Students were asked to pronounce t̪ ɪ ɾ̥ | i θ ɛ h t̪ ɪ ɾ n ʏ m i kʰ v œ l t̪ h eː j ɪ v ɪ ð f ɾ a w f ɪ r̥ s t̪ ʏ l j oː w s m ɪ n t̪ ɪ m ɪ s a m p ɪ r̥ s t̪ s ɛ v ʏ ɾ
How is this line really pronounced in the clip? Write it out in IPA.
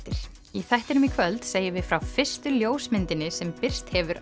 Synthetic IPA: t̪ ɪ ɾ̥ | i θ ɛ h t̪ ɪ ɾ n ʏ m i kʰ v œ l t̪ s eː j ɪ v ɪ ð f ɾ a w f ɪ r̥ s t̪ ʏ l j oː w s m ɪ n t̪ ɪ n ɪ s ɛ m p ɪ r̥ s t̪ h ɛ v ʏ ɾ